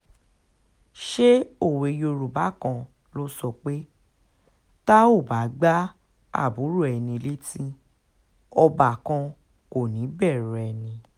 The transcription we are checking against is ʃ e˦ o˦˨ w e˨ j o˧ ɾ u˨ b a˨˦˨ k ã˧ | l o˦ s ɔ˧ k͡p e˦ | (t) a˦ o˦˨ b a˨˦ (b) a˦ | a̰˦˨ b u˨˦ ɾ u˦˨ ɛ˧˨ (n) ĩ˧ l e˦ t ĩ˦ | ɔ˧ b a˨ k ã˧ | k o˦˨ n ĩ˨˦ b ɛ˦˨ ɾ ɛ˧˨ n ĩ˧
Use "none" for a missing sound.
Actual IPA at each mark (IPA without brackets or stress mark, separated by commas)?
t, ɡ͡b, n